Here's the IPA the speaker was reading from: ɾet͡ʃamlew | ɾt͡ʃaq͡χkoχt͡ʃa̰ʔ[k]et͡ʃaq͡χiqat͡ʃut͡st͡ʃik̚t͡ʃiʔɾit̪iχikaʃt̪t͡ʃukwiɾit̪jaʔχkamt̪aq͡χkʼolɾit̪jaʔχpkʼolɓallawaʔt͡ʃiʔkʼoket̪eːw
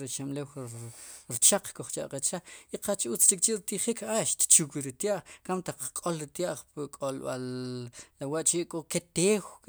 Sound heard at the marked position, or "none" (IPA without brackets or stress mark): q